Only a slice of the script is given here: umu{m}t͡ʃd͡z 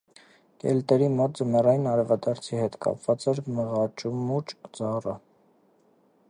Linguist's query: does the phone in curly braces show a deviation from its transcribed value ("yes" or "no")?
yes